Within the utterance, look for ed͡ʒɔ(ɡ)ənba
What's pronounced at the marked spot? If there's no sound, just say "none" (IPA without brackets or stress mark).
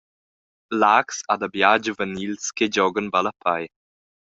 ɡ